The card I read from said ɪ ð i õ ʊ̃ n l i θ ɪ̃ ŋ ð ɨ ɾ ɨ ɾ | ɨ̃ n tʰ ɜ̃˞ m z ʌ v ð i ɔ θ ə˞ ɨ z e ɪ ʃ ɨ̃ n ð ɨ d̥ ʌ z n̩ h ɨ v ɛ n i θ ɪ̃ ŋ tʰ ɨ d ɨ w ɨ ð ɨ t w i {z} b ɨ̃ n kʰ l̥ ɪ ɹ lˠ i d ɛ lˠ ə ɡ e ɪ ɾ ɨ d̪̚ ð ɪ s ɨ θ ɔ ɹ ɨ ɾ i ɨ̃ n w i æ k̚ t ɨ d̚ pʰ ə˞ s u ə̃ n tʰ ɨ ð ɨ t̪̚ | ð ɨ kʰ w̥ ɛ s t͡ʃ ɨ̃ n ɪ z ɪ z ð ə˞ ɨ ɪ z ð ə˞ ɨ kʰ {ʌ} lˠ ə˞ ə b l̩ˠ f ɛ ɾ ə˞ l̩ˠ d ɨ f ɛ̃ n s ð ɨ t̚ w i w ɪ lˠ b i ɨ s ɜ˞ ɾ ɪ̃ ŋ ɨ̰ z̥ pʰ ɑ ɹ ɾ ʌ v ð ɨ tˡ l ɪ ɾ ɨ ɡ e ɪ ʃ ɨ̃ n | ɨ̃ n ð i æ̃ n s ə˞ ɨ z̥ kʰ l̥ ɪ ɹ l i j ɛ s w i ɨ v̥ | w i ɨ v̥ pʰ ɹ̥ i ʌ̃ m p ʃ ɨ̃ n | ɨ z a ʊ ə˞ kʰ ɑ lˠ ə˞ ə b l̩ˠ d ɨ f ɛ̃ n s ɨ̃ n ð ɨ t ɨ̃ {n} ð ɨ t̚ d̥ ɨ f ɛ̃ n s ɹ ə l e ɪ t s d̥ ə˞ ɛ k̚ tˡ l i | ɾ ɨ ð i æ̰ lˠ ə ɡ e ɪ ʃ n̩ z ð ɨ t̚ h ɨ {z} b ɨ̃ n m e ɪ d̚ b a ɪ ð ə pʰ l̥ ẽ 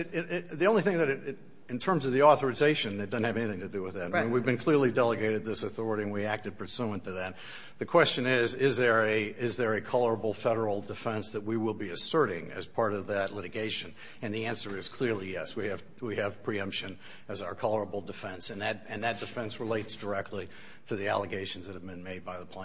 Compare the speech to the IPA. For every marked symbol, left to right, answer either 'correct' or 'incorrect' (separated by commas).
incorrect, incorrect, correct, incorrect